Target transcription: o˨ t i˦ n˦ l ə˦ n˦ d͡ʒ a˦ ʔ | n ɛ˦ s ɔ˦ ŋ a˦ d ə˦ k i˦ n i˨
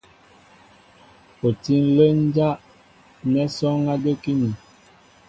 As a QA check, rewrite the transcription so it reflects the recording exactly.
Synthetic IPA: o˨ t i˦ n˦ l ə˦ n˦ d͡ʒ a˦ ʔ | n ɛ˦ s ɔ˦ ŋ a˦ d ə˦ k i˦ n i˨